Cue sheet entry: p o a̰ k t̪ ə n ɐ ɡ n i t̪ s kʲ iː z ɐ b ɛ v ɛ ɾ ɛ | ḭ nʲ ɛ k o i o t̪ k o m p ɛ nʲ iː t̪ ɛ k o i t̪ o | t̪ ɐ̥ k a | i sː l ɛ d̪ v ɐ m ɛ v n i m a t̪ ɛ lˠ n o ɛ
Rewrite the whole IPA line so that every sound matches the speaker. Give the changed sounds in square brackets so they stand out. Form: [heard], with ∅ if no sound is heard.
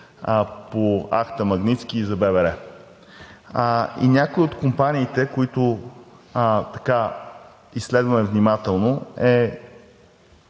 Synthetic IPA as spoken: p o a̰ k t̪ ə [m] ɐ ɡ n i t̪ s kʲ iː z ɐ b ɛ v ɛ ɾ ɛ | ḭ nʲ [a] k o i o t̪ k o m p [a] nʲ iː t̪ ɛ k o i t̪ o | t̪ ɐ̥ k a | i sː l ɛ d̪ v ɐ m ɛ v n i m a t̪ ɛ lˠ n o ɛ